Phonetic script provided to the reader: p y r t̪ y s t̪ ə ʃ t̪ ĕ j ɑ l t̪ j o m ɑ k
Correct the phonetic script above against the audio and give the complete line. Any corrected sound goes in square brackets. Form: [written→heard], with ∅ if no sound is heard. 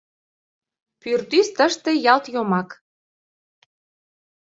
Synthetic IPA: p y r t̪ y s t̪ ə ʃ t̪ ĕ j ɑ l t̪ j o m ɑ k